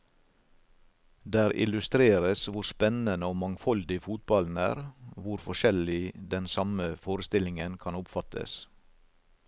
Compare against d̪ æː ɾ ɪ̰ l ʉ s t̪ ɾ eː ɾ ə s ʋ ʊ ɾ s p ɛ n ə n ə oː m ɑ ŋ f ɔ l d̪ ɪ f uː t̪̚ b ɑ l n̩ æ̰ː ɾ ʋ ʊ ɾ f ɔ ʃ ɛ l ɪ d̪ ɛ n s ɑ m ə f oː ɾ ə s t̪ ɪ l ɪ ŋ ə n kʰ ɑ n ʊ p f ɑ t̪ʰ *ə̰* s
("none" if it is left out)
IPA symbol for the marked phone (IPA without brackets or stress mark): ə̰